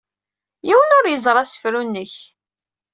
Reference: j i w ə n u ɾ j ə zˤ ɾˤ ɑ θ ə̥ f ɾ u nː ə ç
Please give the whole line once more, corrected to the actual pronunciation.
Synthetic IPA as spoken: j i w ə n ʊ ɾ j ə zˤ ɾˤ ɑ s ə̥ f ɾ u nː ə ç